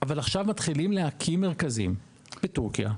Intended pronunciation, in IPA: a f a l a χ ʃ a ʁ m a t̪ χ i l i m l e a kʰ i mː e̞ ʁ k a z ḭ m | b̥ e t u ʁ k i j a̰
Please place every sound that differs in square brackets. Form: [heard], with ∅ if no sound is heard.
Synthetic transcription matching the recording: a [v] a l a χ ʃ a [v] m a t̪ χ i l i m l e a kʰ i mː e̞ ʁ k a z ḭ m | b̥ e t u ʁ k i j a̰